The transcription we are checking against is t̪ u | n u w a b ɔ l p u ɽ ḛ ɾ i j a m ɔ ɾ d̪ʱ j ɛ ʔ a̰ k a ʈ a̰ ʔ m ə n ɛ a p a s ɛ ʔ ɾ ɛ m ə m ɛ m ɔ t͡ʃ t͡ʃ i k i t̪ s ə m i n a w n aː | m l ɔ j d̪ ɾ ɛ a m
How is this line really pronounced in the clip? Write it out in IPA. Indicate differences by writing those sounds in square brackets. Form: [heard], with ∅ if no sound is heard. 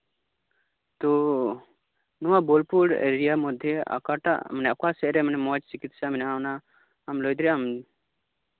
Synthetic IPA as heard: t̪ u | n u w a b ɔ l p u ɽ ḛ ɾ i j a m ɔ [∅] d̪ʱ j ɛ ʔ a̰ k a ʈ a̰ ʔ m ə n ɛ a [k] a s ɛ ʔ ɾ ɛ m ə [n] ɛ m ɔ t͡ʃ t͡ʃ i k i t̪ s [a] m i n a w n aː | m l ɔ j d̪ ɾ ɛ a m